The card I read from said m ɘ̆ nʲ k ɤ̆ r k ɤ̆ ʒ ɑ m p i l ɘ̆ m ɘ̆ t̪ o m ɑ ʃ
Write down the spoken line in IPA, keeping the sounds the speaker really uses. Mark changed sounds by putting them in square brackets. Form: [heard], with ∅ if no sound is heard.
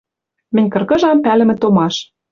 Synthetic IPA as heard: m ɘ̆ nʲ k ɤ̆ r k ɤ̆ ʒ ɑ m p [æ] l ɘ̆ m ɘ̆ t̪ o m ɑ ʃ